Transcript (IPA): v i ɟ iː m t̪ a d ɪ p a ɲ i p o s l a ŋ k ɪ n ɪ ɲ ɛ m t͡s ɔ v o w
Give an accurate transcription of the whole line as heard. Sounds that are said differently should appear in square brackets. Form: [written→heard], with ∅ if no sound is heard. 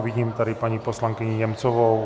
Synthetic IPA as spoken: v i ɟ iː m t̪ a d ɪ p a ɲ i p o s l a ŋ k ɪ [n→ɲ] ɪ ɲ ɛ m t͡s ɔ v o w